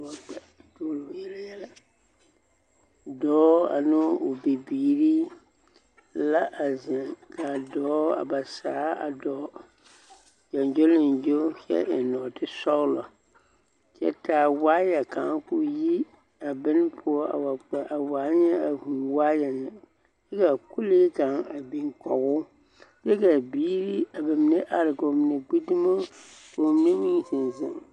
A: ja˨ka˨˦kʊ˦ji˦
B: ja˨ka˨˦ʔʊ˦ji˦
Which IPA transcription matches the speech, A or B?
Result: A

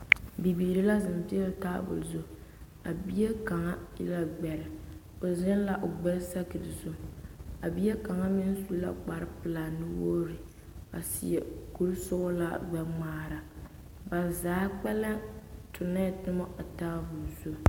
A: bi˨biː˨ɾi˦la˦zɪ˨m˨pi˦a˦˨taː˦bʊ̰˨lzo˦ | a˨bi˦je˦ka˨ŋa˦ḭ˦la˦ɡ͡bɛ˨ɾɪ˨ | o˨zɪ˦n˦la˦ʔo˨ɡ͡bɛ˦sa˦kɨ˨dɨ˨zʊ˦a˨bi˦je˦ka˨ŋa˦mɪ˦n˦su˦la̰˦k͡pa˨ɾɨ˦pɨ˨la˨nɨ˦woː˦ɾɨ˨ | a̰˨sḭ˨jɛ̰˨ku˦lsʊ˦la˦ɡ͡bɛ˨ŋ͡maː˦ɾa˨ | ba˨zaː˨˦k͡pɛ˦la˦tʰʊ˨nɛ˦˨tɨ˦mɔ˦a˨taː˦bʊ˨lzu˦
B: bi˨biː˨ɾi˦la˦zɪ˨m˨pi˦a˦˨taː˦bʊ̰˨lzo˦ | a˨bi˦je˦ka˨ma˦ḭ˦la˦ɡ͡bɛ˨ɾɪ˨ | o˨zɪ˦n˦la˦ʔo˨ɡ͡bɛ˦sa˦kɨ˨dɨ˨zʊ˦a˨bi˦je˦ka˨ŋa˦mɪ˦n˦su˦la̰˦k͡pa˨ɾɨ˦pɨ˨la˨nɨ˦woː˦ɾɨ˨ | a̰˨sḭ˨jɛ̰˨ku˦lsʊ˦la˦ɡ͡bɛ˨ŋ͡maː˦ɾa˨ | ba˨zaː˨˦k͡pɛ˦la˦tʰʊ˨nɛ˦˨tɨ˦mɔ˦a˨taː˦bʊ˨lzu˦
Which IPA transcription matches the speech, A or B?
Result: A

